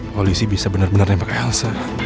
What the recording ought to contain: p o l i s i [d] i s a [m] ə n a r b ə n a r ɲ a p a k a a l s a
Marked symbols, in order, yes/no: no, no

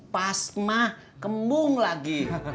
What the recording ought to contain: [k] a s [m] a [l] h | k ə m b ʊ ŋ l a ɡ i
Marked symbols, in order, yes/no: no, yes, no

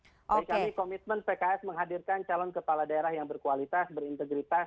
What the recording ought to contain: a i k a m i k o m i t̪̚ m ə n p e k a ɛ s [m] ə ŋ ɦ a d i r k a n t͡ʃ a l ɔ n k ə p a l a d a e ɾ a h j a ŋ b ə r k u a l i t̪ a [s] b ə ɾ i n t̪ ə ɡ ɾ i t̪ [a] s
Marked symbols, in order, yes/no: yes, yes, yes

